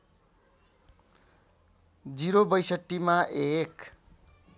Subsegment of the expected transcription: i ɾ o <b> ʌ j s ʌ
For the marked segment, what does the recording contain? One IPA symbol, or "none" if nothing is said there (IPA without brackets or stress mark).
b